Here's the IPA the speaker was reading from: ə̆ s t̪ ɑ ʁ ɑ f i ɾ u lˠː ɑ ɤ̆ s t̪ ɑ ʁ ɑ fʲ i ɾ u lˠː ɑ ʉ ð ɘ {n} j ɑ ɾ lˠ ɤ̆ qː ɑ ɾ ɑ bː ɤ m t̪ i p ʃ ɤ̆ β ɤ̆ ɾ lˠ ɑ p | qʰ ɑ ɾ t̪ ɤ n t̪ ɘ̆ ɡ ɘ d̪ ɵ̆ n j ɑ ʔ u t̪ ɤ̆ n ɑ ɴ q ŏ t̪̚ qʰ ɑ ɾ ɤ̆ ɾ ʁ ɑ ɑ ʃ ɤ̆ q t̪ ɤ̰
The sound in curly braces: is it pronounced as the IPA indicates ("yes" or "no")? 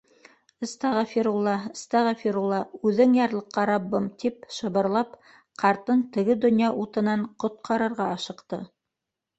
no